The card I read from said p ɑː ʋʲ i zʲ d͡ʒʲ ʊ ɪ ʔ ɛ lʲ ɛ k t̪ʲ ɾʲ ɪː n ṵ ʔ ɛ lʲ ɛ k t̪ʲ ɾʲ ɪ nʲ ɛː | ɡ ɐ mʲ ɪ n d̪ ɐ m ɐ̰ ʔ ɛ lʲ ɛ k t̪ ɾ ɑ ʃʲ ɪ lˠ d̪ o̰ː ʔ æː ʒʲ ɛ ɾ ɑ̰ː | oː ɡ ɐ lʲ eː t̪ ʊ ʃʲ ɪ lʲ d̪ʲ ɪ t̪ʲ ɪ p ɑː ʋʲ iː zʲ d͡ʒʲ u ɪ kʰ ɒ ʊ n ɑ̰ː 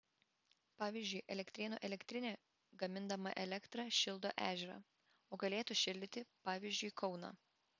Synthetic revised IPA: p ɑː ʋʲ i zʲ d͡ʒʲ ʊ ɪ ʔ ɛ lʲ ɛ k t̪ʲ ɾʲ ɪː n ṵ ʔ ɛ lʲ ɛ k t̪ʲ ɾʲ ɪ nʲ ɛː | ɡ ɐ mʲ ɪ n d̪ ɐ m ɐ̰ ʔ ɛ lʲ ɛ k t̪ ɾ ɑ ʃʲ ɪ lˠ d̪ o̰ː ʔ æː ʒʲ ɛ ɾ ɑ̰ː | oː ɡ ɐ lʲ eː t̪ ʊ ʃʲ ɪ lʲ d̪ʲ ɪ t̪ʲ ɪ p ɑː ʋʲ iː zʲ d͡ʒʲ ʊ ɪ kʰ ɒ ʊ n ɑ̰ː